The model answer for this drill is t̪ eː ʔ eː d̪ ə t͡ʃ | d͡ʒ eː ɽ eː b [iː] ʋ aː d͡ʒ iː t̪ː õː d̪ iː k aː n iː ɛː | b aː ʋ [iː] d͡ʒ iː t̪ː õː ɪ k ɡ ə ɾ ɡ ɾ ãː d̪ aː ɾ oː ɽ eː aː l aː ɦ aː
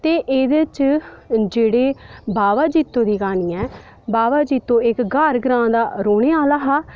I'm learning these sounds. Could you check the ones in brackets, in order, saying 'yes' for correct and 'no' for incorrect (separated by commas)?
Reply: no, no